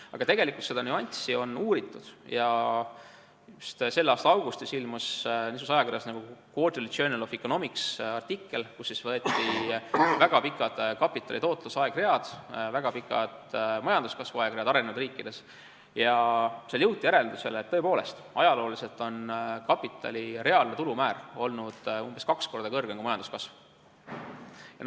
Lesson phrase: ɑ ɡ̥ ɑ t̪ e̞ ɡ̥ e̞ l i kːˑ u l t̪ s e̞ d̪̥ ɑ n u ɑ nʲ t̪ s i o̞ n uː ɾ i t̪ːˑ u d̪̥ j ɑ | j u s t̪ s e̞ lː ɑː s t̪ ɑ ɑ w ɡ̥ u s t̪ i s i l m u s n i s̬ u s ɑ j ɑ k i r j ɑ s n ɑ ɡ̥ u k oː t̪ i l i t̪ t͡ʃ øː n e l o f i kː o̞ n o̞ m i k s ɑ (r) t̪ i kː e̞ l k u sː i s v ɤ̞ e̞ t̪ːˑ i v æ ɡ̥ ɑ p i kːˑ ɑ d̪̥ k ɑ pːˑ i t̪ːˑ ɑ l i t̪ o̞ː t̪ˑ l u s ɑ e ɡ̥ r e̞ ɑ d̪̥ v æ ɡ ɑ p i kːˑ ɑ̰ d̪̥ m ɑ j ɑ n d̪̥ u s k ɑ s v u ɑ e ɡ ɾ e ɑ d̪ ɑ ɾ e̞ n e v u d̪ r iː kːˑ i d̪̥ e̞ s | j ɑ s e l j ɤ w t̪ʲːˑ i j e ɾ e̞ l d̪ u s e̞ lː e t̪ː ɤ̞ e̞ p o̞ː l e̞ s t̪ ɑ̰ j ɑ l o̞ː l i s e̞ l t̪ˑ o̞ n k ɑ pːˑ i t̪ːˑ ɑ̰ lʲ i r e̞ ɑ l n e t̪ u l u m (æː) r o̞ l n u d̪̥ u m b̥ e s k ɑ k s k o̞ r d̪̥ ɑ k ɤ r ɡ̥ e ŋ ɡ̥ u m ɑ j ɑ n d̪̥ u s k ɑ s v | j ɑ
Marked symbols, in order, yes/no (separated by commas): yes, yes